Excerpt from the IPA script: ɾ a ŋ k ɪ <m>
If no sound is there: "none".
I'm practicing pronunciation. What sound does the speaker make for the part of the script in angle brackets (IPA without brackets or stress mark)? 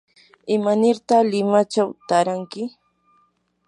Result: none